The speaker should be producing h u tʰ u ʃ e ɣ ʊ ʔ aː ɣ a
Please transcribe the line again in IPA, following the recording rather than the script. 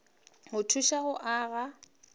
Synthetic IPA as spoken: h ʊ tʰ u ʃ a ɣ ʊ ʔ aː ɣ a